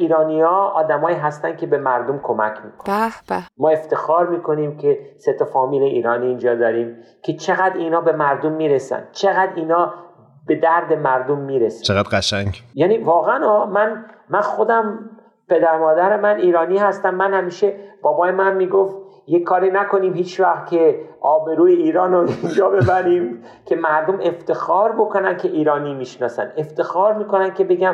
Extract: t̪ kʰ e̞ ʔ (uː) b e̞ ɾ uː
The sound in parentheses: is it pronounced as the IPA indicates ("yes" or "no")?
no